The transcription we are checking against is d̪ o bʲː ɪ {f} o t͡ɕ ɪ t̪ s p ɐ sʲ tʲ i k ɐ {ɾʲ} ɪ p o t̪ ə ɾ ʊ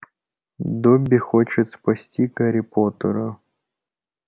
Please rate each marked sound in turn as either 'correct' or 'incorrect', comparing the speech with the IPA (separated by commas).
incorrect, correct